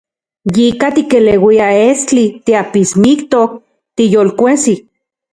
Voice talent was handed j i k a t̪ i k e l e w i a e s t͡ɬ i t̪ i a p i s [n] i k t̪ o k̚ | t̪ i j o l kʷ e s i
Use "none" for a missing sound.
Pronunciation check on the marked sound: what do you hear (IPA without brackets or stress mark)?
m